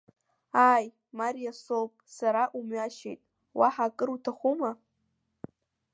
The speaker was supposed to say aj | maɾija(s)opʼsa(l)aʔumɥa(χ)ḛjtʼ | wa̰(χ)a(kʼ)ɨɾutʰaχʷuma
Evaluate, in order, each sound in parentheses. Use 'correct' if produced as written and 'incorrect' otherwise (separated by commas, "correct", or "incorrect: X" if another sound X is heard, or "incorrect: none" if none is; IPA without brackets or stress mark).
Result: correct, incorrect: ɾ, incorrect: ʃ, incorrect: ħ, correct